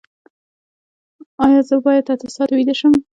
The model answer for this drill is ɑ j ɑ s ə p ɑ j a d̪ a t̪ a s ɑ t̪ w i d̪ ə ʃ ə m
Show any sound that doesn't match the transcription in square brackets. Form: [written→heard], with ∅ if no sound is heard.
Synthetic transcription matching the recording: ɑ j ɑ [s→z] ə [p→b] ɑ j a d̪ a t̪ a s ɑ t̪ w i d̪ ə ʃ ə m